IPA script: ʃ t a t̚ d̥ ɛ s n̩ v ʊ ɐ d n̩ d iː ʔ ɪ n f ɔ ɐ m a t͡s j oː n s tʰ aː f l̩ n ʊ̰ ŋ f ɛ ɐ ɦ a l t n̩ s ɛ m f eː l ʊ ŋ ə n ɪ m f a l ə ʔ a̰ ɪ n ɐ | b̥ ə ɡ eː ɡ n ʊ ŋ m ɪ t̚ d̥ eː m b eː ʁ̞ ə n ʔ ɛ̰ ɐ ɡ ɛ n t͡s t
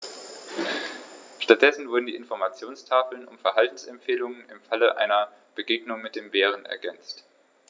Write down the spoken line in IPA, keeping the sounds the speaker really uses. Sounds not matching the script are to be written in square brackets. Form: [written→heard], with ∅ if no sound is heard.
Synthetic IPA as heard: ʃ t a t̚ d̥ ɛ s n̩ v ʊ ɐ d n̩ d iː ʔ ɪ n f ɔ ɐ m a t͡s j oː n s tʰ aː f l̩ n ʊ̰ [ŋ→m] f ɛ ɐ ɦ a l t n̩ s ɛ m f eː l ʊ ŋ ə n ɪ m f a l ə ʔ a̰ ɪ n ɐ | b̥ ə ɡ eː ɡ n ʊ ŋ m ɪ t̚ d̥ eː m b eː ʁ̞ ə n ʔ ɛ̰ ɐ ɡ ɛ n t͡s t